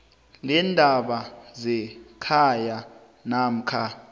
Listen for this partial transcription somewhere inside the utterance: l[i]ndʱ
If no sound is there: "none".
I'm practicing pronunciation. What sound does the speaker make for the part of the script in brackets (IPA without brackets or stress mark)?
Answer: ɛ